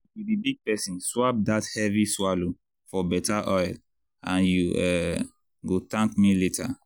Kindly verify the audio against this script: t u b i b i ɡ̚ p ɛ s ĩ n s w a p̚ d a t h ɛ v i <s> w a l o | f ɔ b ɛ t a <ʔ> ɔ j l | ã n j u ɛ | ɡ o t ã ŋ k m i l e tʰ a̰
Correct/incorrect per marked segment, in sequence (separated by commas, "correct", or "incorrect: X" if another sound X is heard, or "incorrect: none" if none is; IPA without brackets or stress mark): correct, correct